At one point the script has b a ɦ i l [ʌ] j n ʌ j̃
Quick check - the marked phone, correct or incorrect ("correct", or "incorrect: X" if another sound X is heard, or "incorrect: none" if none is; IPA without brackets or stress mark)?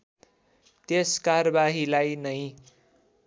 incorrect: a